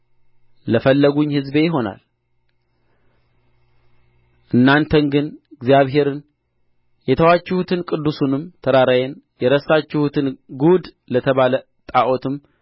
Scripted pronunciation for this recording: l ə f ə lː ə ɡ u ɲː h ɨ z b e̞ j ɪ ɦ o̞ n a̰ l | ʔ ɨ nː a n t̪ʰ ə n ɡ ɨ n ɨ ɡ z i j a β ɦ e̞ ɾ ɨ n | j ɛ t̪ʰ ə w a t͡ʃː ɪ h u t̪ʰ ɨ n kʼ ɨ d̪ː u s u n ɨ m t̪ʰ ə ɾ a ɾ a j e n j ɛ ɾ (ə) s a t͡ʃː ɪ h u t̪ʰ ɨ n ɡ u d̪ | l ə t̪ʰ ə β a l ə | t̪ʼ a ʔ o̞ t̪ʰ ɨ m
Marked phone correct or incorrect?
correct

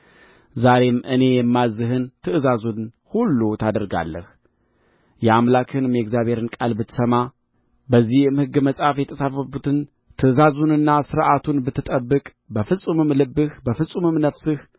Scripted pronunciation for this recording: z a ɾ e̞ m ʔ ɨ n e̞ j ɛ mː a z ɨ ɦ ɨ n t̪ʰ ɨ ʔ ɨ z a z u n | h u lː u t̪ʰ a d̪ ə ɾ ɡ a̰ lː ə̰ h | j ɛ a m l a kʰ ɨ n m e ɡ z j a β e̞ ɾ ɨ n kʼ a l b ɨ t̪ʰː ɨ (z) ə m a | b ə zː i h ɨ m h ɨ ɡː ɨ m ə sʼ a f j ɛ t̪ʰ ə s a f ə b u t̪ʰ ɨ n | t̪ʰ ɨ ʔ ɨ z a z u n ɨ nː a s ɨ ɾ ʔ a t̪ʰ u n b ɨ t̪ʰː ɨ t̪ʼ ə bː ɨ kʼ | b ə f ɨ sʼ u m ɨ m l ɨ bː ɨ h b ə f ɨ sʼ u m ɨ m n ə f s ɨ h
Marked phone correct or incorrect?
incorrect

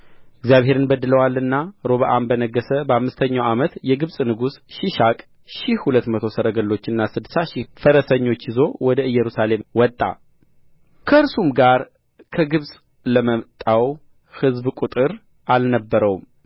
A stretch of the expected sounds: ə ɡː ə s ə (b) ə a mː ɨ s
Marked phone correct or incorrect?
correct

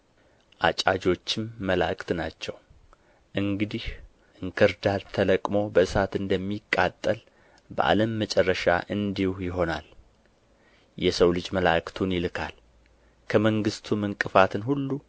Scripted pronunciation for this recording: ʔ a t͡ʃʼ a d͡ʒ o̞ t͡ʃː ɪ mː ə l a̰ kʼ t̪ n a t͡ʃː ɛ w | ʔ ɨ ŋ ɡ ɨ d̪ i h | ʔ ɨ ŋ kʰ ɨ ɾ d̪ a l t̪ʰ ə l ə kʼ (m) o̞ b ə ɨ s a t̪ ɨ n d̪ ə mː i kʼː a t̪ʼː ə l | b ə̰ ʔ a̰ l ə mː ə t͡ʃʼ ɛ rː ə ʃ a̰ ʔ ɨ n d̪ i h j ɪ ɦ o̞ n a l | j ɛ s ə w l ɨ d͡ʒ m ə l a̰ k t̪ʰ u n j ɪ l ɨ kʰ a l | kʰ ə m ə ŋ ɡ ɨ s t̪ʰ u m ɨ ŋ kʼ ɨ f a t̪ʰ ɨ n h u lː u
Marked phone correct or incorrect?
correct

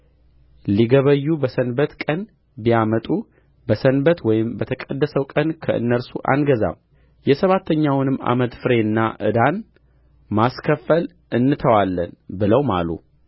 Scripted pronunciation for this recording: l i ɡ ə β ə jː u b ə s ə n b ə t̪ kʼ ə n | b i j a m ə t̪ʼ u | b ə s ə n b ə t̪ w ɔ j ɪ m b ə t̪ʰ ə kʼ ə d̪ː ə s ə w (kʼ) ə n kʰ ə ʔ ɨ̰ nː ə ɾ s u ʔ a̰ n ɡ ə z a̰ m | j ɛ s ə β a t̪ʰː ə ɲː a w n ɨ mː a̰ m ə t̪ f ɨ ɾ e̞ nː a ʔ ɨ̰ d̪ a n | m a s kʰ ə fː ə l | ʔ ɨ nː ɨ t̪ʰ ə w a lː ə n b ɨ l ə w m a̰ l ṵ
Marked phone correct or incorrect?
correct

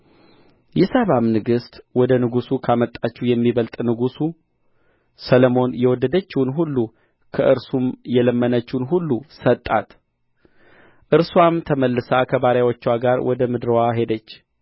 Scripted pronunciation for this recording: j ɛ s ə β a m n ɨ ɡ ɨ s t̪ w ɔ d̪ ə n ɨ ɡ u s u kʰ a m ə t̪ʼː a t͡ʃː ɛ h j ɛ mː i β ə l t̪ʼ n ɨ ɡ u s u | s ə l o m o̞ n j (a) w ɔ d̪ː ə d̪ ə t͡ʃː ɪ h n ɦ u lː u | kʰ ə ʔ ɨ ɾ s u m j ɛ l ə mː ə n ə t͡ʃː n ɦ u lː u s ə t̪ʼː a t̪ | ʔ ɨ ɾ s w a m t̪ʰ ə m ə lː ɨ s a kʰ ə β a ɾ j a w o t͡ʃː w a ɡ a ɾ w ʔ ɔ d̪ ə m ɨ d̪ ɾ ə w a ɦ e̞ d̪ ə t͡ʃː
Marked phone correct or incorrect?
incorrect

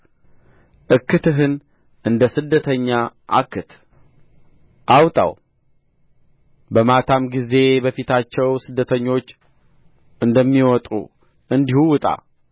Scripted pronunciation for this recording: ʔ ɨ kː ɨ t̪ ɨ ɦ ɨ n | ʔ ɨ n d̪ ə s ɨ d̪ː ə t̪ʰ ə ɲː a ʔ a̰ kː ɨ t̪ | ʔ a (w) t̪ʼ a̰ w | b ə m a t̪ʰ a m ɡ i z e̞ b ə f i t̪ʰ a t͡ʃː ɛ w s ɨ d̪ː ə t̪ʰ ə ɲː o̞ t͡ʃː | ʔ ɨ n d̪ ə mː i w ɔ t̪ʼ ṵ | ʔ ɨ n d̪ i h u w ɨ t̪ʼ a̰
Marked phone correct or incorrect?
correct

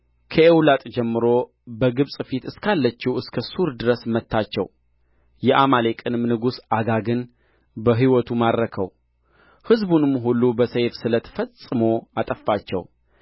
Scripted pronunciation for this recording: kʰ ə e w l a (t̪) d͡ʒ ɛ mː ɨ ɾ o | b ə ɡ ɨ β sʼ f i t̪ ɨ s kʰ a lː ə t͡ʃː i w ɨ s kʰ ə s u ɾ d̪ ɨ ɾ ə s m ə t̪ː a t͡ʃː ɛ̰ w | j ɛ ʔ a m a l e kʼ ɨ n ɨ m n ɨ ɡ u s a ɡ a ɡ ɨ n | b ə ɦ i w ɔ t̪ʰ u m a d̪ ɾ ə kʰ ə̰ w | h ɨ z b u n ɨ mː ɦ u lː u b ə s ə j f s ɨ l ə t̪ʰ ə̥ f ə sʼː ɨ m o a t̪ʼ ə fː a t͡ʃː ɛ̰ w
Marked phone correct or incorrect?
incorrect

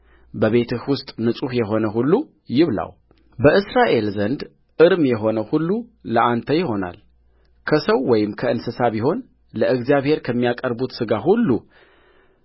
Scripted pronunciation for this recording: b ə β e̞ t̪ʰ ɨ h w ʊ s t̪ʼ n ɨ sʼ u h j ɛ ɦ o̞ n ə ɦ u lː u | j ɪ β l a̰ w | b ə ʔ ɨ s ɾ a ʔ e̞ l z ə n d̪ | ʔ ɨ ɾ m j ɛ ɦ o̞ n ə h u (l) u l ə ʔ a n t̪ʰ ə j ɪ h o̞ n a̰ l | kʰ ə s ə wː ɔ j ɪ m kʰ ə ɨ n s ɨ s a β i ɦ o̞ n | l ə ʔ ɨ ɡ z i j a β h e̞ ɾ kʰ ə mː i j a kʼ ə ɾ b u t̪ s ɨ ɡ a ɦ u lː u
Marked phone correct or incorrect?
incorrect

